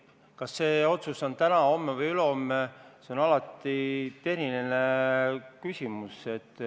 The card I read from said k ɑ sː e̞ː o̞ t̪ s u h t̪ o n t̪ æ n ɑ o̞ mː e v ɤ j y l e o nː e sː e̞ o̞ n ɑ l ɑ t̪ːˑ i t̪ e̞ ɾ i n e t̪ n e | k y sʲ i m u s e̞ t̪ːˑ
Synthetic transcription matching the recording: k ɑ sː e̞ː o̞ t̪ s u s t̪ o n t̪ æ n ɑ o̞ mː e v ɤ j y l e o mː e s e̞ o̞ n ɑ l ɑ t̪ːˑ i t̪ e̞ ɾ i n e n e | k y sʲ i m u s e̞ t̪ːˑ